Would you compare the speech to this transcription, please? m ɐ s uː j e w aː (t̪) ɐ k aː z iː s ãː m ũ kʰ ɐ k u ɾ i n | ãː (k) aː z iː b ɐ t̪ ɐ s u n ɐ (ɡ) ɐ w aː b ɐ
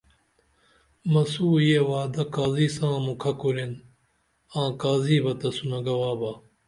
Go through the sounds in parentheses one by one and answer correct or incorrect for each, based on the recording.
incorrect: d̪, correct, correct

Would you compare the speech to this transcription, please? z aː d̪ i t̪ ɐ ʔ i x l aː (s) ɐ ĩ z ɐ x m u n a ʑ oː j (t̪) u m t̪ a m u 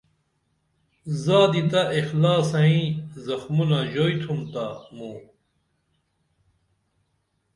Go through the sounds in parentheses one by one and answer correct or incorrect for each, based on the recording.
correct, incorrect: t̪ʰ

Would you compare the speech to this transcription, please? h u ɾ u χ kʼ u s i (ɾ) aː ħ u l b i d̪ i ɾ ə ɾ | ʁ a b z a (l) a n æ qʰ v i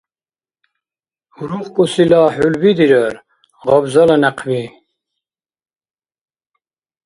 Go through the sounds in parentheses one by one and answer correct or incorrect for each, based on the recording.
incorrect: l, correct

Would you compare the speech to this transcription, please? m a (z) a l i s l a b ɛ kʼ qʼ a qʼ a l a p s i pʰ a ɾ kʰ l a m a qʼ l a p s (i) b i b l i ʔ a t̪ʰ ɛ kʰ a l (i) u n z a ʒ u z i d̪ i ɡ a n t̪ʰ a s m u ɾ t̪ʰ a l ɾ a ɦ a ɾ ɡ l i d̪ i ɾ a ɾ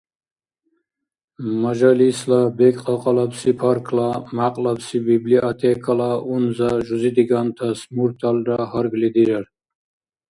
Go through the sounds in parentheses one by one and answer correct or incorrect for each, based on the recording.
incorrect: ʒ, correct, incorrect: a

